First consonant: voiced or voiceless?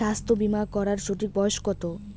voiceless